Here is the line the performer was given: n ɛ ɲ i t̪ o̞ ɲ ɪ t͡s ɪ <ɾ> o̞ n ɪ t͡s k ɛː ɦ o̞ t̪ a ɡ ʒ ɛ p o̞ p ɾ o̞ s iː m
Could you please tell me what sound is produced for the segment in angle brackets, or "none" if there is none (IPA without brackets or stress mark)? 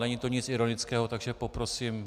ɾ